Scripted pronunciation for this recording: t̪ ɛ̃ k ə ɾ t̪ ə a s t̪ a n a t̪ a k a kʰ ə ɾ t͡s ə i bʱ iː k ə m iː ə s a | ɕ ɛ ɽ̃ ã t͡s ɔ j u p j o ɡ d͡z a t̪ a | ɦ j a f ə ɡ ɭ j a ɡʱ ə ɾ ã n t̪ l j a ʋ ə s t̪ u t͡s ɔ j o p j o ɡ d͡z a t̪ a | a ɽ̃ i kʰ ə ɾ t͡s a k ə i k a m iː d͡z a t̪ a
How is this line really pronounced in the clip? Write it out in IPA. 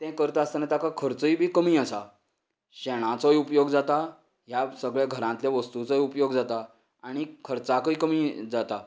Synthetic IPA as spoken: t̪ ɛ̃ k ə ɾ t̪ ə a s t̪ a n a t̪ a k a kʰ ə ɾ t͡s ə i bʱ iː k ə m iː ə s a | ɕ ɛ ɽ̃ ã t͡s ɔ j u p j o ɡ d͡z a t̪ a | ɦ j a s ə ɡ ɭ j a ɡʱ ə ɾ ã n t̪ l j a ʋ ə s t̪ u t͡s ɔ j u p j o ɡ d͡z a t̪ a | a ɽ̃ i kʰ ə ɾ t͡s a k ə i k ə m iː d͡z a t̪ a